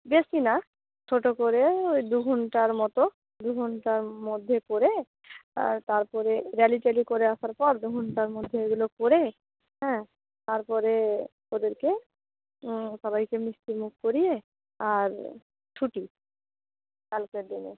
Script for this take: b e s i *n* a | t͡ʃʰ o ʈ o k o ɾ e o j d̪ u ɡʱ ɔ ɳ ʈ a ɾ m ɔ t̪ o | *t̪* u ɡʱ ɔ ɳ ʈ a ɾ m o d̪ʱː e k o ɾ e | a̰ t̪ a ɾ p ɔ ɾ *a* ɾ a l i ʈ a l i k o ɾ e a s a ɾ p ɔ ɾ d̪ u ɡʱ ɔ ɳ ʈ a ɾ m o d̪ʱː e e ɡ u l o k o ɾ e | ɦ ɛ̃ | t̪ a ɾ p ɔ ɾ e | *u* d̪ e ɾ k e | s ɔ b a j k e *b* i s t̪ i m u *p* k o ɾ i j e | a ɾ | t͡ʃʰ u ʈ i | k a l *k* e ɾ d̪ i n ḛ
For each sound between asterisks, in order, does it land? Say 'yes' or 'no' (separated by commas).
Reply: yes, no, no, no, no, no, yes